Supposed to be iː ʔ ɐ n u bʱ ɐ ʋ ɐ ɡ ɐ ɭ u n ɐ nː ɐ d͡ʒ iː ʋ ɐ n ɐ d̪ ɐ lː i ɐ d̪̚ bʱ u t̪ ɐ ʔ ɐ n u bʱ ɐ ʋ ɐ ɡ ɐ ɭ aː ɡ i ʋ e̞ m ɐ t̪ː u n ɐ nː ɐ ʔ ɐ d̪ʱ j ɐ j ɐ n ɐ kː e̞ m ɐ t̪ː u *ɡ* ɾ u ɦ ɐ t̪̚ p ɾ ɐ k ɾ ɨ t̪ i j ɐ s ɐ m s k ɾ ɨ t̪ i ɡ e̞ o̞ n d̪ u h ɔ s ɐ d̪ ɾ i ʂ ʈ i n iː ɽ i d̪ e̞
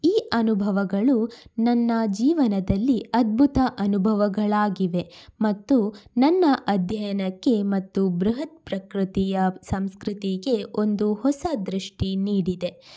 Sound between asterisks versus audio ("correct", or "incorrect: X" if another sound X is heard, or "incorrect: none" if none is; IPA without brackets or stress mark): incorrect: b